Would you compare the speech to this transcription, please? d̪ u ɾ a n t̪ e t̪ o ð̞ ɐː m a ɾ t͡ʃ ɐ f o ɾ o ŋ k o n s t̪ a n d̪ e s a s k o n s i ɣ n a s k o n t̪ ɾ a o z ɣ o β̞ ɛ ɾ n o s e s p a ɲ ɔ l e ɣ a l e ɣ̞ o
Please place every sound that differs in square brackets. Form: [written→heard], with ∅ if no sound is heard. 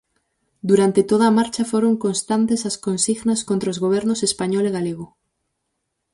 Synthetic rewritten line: d̪ u ɾ a n t̪ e t̪ o ð̞ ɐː m a ɾ t͡ʃ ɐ f o ɾ o ŋ k o n s t̪ a n [d̪→t̪] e s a s k o n s i ɣ n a s k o n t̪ ɾ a o z ɣ o β̞ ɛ ɾ n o s e s p a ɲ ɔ l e ɣ a l e ɣ̞ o